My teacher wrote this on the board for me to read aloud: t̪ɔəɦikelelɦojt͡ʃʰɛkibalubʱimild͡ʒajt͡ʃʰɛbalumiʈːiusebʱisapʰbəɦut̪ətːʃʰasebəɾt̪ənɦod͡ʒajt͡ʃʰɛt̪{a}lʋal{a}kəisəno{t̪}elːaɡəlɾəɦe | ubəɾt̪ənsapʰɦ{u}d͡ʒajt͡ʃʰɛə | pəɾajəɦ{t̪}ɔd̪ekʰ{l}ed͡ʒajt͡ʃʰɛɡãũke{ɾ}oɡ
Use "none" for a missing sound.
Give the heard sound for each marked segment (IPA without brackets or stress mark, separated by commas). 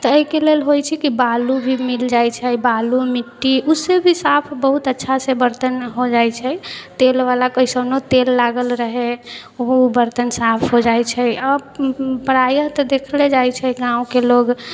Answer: e, a, t̪, o, t̪, l, l